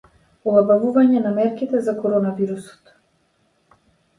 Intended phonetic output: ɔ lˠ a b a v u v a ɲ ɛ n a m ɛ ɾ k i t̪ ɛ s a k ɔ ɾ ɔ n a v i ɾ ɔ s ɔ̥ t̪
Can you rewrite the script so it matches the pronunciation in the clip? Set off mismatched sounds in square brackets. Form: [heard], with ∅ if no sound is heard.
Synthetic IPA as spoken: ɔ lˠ a b a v u v a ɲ ɛ n a m ɛ ɾ k i t̪ ɛ [z] a k ɔ ɾ ɔ n a v i ɾ [u] s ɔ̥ t̪